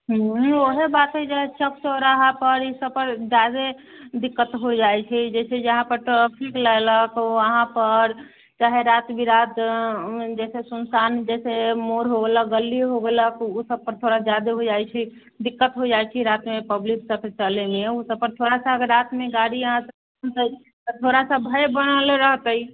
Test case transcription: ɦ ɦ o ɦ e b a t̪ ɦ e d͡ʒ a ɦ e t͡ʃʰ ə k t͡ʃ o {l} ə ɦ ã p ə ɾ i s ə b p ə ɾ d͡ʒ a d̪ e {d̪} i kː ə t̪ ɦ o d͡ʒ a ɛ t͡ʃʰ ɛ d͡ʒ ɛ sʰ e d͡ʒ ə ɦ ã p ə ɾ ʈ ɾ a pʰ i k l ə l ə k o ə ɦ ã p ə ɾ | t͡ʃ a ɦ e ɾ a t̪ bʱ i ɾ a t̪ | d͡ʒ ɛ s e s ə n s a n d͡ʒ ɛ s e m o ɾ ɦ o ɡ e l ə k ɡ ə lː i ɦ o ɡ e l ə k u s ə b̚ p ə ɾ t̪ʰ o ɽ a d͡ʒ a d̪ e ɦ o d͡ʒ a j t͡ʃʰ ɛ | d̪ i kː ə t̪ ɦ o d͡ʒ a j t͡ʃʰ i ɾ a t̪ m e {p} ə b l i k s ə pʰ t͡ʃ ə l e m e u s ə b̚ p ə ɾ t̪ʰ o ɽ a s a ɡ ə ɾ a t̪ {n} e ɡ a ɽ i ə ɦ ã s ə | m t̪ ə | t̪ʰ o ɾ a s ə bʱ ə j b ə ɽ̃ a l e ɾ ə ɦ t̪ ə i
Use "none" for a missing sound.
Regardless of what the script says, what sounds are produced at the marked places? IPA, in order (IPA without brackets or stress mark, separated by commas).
ɾ, d̪, p, m